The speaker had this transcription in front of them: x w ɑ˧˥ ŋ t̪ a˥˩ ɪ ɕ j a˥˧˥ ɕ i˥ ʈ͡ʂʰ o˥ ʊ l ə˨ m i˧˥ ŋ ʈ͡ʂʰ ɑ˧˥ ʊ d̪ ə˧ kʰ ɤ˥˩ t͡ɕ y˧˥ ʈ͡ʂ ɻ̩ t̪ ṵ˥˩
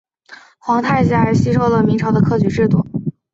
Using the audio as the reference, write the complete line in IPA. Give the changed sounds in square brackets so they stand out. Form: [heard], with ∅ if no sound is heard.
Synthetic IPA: x w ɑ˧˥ ŋ [t̪ʰ] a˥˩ ɪ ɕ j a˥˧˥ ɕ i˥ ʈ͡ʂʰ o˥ ʊ l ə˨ m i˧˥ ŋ ʈ͡ʂʰ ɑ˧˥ ʊ d̪ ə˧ kʰ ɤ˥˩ t͡ɕ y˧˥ ʈ͡ʂ ɻ̩ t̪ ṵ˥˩